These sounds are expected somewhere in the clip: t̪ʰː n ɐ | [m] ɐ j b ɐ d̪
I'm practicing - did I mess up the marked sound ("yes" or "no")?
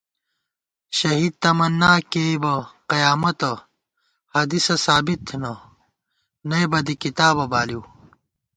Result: yes